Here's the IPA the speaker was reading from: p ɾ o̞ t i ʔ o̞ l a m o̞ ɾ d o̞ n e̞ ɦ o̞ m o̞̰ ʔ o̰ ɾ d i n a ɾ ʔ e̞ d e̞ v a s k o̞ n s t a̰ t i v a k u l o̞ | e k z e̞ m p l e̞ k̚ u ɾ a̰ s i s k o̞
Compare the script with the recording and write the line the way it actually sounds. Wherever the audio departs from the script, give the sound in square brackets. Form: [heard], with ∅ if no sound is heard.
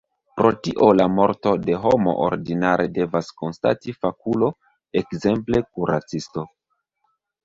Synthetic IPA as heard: p ɾ o̞ t i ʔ o̞ l a m o̞ ɾ [t] o̞ [d] e̞ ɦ o̞ m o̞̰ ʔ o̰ ɾ d i n a ɾ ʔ e̞ d e̞ v a s k o̞ n s t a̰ t i [f] a k u l o̞ | e k z e̞ m p l e̞ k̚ u ɾ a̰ [t͡s] i s [t] o̞